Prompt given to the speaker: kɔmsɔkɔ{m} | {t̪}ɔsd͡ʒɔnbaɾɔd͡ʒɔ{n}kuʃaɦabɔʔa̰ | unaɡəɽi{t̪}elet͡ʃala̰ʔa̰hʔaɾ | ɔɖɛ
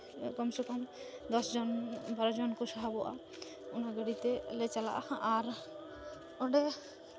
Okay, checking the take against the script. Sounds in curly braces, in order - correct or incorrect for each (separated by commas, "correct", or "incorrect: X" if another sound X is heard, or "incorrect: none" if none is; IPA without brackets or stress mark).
correct, incorrect: d̪, correct, correct